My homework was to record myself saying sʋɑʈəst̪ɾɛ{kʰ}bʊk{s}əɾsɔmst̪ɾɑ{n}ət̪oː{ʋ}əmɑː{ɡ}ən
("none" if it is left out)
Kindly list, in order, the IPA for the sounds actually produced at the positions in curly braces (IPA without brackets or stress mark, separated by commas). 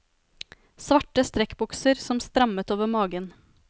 k, s, m, ʋ, ɡ